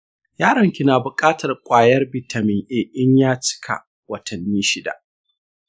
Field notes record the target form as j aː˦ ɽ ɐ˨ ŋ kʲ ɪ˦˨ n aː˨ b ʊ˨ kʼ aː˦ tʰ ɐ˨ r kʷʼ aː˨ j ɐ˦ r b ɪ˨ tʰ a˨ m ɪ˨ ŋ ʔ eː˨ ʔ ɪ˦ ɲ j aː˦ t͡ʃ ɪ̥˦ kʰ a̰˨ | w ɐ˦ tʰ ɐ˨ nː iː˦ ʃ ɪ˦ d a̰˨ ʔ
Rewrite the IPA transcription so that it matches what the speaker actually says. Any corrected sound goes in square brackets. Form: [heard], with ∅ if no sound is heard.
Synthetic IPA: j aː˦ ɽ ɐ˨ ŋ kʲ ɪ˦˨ n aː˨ b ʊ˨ kʼ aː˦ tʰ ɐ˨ r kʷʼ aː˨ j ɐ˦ r b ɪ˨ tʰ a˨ m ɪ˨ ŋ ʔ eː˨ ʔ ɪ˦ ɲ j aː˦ t͡ʃ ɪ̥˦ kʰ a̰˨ | w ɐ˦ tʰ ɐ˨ nː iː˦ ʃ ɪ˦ d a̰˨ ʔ